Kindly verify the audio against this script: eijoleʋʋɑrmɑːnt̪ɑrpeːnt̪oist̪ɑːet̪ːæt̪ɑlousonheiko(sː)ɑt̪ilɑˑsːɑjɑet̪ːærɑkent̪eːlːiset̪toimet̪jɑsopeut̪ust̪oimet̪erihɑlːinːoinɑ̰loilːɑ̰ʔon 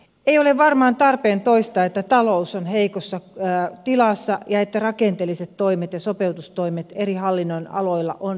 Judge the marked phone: correct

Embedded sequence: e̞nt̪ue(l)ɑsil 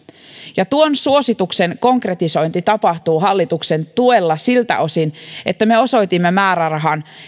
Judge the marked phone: incorrect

